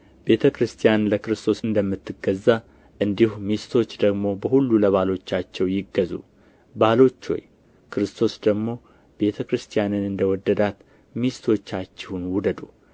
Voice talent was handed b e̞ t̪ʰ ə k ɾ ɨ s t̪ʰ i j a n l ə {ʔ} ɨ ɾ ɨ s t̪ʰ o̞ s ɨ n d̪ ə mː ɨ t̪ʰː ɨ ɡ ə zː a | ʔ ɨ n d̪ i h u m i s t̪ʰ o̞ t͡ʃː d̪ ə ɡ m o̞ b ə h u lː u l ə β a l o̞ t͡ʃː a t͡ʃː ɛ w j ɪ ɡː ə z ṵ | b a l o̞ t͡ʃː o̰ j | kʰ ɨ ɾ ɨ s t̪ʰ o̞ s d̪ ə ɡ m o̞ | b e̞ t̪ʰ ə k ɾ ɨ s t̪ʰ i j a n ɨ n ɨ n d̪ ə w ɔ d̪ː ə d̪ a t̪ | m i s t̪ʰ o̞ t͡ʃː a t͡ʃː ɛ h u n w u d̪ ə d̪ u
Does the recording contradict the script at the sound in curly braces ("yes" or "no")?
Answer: yes